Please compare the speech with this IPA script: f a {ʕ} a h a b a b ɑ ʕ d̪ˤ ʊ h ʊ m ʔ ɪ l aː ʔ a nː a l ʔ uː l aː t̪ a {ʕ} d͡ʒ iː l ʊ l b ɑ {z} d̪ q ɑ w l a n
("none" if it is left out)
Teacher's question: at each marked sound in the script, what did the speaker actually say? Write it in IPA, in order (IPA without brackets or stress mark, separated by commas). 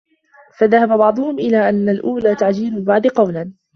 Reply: ð, ʕ, ʕ